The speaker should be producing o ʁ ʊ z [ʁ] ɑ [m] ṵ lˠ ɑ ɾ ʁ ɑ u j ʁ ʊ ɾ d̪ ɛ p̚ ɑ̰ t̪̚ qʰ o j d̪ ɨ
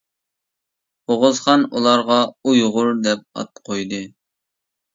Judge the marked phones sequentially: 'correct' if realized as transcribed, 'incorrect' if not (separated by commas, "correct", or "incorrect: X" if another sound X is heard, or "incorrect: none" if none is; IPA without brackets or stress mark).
incorrect: χ, incorrect: n